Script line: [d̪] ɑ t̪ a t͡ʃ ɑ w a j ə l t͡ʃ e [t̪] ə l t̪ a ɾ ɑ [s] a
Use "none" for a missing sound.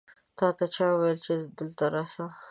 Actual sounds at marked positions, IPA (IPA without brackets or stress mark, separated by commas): t̪, d̪, s